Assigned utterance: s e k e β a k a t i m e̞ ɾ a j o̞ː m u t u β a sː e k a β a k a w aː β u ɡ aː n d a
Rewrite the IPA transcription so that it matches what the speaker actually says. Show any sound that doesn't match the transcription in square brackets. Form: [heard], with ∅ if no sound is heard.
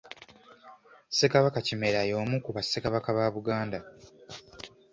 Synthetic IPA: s e k [a] β a k a [c] i m e̞ ɾ a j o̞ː m u [k] u β a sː e k a β a k a [β] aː β u ɡ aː n d a